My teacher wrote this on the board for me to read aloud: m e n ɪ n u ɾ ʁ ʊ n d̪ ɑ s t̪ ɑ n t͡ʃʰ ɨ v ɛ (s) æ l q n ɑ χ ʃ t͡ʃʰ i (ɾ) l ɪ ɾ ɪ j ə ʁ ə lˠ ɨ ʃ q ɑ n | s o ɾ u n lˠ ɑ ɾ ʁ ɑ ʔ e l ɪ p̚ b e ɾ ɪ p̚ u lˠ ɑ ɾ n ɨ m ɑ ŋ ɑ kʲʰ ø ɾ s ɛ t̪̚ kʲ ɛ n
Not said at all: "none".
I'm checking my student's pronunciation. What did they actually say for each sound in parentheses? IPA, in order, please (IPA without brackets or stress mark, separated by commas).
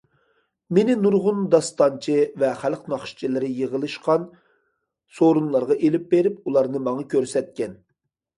χ, none